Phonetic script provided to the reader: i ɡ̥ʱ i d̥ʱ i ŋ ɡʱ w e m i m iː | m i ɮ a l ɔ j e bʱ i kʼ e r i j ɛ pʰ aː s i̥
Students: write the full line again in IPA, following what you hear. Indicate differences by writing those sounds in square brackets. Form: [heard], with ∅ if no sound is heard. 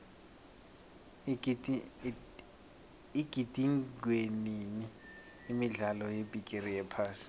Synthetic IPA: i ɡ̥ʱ i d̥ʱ i ŋ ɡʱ w e [n] i [n] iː | m i ɮ a l ɔ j e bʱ i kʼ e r i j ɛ pʰ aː s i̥